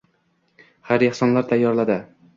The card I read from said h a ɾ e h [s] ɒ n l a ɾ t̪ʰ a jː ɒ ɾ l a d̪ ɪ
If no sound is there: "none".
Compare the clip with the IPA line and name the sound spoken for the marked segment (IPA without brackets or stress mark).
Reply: s